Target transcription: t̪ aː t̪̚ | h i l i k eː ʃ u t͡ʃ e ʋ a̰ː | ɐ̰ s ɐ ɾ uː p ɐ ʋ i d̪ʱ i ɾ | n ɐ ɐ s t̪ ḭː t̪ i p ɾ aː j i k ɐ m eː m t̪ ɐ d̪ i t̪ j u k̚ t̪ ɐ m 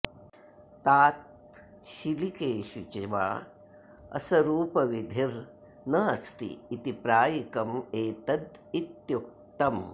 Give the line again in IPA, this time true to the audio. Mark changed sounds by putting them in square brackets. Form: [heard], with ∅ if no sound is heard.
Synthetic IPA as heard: t̪ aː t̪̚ | [ʃ] i l i k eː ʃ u t͡ʃ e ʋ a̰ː | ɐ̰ s ɐ ɾ uː p ɐ ʋ i d̪ʱ i ɾ | n ɐ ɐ s t̪ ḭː t̪ i p ɾ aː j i k ɐ m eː [∅] t̪ ɐ d̪ i t̪ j u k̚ t̪ ɐ m